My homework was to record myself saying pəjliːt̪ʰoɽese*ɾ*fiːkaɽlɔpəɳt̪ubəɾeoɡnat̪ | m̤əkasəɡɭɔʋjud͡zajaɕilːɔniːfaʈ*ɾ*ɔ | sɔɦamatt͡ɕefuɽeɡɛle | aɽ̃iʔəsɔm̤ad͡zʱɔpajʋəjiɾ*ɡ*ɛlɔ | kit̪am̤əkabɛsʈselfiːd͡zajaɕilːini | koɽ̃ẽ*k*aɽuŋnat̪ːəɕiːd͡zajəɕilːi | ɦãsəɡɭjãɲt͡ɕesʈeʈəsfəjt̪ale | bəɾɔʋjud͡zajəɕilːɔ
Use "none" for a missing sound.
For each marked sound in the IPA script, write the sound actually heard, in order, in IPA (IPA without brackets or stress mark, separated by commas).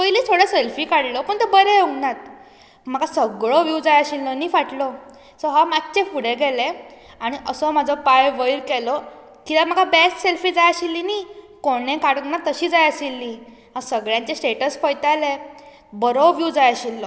l, l, k, k